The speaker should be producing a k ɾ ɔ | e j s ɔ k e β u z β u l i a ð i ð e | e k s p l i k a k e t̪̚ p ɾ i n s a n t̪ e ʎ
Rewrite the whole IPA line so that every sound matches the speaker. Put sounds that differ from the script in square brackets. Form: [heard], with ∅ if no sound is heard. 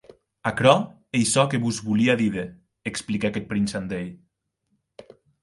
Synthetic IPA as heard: a k ɾ ɔ | e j s ɔ k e β u z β u l i a ð i ð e | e k s p l i k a k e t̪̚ p ɾ i n s a n [d̪] e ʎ